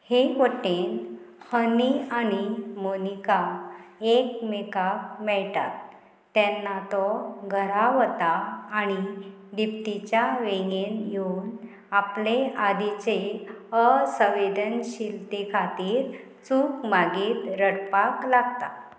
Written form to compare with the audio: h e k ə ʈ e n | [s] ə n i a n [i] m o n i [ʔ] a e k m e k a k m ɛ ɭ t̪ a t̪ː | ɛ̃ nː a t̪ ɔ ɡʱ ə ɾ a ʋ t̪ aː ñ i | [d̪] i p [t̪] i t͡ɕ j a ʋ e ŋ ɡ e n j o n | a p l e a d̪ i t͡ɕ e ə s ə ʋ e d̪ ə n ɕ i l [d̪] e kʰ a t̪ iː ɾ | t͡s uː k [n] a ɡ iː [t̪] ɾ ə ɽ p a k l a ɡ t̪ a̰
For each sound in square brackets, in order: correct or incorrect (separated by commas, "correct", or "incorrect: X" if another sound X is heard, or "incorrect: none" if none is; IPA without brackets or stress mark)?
incorrect: h, correct, incorrect: k, correct, correct, incorrect: t̪, incorrect: m, correct